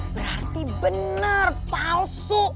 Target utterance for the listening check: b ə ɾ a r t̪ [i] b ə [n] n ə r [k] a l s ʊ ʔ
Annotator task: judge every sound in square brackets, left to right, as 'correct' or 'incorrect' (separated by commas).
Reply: correct, correct, incorrect